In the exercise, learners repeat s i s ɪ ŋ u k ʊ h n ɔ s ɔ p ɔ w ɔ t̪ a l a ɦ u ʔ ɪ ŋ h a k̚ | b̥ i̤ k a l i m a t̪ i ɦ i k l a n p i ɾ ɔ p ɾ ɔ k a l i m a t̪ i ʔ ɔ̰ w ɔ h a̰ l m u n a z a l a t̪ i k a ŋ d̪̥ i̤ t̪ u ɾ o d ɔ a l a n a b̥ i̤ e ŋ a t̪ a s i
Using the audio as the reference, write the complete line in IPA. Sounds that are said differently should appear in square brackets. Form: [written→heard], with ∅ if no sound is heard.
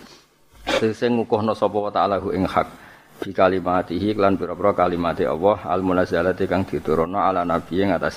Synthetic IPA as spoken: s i s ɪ ŋ u k ʊ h n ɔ s ɔ p ɔ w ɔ t̪ a l a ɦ u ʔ ɪ ŋ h a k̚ | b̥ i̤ k a l i m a t̪ i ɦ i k l a n p i ɾ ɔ p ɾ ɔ k a l i m a t̪ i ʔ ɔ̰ w ɔ h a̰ l m u n a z a l a t̪ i k a ŋ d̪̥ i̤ t̪ u ɾ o [d→n] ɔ a l a n a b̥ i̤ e ŋ a t̪ a s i